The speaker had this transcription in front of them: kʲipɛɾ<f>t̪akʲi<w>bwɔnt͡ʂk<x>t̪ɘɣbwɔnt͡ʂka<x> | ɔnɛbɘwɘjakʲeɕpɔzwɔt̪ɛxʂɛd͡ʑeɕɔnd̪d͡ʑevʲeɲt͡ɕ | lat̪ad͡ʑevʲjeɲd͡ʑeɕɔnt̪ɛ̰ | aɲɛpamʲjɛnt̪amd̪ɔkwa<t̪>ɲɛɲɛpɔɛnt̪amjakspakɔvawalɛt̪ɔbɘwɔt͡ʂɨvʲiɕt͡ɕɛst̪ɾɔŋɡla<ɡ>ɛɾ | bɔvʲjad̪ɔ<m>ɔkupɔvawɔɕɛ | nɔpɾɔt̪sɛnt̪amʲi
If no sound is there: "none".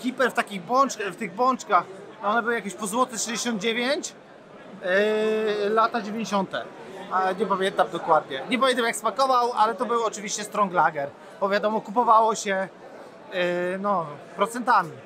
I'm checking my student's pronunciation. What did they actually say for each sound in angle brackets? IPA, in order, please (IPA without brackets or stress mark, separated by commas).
f, ɣ, f, x, d̪, ɡ, m